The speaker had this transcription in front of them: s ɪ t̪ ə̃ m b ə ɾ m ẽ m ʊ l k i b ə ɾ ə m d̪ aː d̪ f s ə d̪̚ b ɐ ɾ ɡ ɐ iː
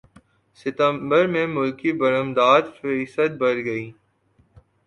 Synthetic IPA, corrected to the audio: s ɪ t̪ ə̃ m b ə ɾ m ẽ m ʊ l k i b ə ɾ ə m d̪ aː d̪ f s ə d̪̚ b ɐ ɾ ɡ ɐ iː